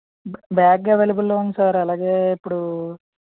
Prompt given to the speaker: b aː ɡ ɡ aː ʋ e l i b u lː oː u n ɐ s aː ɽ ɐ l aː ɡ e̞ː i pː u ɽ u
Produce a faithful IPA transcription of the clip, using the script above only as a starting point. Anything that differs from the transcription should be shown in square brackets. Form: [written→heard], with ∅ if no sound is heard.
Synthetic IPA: b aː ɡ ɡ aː ʋ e l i b u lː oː u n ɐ s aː [ɽ→ɾ] ɐ l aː ɡ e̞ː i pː u ɽ u